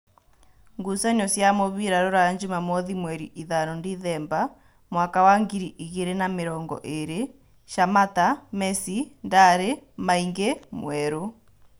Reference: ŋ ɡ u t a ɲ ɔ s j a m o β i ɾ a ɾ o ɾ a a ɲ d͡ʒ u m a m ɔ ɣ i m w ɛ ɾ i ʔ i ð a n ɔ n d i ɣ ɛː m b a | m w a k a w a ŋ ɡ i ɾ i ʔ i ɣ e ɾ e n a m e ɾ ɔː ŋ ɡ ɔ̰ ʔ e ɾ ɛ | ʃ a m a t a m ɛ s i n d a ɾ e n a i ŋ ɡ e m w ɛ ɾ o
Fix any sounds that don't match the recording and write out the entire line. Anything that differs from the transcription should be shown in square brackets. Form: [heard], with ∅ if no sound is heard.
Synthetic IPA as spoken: ŋ ɡ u [s] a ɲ ɔ s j a m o β i ɾ a ɾ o ɾ a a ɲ d͡ʒ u m a m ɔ [ð] i m w ɛ ɾ i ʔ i ð a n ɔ n d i [ð] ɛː m b a | m w a k a w a ŋ ɡ i ɾ i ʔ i ɣ e ɾ e n a m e ɾ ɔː ŋ ɡ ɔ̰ ʔ e ɾ [e] | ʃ a m a t a m ɛ s i n d a ɾ e [m] a i ŋ ɡ e m w ɛ ɾ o